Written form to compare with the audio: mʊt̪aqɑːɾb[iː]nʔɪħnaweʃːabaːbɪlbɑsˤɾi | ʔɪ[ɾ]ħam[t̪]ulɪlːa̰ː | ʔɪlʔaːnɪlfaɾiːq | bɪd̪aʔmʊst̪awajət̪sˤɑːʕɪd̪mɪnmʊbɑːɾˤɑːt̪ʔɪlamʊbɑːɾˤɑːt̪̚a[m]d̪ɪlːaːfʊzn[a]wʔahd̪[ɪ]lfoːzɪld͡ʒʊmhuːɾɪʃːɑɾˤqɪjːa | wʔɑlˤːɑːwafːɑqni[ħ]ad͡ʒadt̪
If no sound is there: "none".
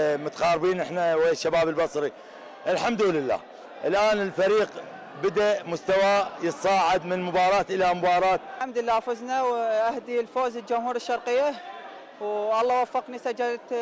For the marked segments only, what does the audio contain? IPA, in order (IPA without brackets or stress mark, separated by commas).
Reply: iː, l, d̪, m, a, i, s